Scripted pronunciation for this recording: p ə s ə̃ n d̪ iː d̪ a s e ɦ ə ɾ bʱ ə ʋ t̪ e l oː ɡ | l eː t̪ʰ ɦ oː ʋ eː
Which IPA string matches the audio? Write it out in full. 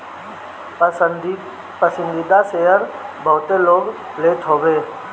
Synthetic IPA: p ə s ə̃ n d̪ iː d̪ a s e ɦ ə ɾ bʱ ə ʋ t̪ e l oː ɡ | l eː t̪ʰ ɦ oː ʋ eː